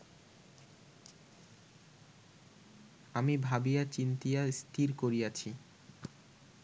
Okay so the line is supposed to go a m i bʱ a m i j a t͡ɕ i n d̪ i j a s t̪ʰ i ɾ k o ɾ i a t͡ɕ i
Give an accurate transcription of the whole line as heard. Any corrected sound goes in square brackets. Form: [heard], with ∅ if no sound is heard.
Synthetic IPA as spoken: a m i bʱ a [b] i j a t͡ɕ i n [t̪] i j a s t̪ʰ i ɾ k o ɾ i a [t͡ɕʰ] i